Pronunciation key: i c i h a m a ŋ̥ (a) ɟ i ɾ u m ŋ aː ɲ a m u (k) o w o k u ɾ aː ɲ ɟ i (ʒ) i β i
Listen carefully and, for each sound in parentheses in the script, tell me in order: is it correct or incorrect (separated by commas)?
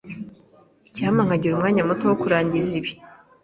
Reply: correct, incorrect, incorrect